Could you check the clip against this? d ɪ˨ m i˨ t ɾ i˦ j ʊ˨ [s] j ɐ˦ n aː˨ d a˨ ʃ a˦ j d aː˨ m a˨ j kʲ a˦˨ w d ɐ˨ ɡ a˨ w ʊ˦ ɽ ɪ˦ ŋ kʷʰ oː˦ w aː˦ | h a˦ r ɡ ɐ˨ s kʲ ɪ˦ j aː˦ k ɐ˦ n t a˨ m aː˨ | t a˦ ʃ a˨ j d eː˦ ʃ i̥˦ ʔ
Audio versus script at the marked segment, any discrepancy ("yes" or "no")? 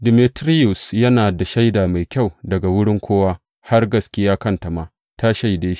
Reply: no